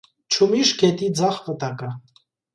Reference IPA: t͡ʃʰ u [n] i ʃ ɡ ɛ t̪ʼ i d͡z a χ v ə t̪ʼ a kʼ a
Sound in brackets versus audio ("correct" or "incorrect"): incorrect